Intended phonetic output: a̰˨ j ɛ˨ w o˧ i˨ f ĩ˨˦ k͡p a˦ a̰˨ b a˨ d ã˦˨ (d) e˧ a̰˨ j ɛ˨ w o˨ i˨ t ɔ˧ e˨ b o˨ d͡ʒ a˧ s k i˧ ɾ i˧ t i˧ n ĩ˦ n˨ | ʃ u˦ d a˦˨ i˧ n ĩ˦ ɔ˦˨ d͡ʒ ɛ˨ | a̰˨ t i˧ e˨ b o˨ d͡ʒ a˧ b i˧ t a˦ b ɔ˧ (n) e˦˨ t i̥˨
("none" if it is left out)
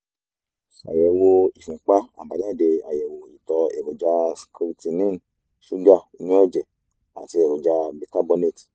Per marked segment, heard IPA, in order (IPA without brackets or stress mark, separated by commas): d, n